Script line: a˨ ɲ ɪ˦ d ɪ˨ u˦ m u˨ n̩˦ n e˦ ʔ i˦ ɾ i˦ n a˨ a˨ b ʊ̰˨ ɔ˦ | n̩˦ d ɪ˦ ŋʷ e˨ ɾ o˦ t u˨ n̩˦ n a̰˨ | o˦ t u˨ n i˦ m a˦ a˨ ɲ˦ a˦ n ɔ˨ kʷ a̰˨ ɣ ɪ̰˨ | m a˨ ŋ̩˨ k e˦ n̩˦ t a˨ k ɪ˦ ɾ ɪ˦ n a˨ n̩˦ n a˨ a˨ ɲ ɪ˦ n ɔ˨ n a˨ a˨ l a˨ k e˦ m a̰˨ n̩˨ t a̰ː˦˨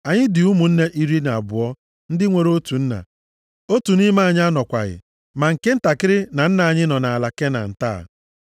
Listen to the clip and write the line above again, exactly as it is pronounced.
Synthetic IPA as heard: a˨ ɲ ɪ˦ d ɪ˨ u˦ m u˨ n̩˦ n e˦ ʔ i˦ ɾ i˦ n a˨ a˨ b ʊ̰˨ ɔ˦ | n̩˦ d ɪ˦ ŋʷ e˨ ɾ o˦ t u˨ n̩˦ n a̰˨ | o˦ t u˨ n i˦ m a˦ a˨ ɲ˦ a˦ n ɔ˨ kʷ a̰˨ ɣ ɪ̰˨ | m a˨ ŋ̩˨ k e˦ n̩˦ t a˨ k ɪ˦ ɾ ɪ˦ n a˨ n̩˦ n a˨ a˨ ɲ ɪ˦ n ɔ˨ n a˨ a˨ l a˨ k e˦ n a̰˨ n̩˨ t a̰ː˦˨